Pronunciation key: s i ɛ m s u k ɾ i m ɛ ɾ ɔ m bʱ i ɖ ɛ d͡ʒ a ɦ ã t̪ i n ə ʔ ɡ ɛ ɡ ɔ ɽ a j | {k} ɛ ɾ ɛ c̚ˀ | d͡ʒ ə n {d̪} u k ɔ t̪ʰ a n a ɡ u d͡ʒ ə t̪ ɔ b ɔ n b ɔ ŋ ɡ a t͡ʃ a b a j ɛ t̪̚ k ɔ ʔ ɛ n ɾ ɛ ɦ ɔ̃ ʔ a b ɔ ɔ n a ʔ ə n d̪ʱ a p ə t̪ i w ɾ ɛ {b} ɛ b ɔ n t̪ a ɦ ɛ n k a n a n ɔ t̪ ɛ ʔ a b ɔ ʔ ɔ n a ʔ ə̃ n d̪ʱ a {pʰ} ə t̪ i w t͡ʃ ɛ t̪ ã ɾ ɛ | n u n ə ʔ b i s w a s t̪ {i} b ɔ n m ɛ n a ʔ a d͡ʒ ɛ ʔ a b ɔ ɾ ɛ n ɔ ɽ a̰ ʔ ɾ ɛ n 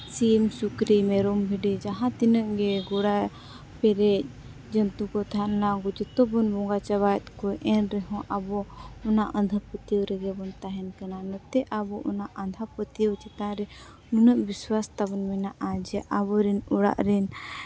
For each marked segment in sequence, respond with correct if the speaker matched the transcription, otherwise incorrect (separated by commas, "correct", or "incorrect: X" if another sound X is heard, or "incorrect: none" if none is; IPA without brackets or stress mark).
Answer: incorrect: p, incorrect: t̪, incorrect: ɡ, incorrect: p, incorrect: a